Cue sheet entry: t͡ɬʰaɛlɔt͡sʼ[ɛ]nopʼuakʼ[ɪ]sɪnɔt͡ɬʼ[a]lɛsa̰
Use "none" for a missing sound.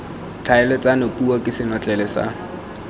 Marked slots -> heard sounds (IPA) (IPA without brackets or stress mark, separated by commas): a, ɪ, ɛ